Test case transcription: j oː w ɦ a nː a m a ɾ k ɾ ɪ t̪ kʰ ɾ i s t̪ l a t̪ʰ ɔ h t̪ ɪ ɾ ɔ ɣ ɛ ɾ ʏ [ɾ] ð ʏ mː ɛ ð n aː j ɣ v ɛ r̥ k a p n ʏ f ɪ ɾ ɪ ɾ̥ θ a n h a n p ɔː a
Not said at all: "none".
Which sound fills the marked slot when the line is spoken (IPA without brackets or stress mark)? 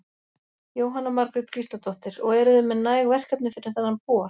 none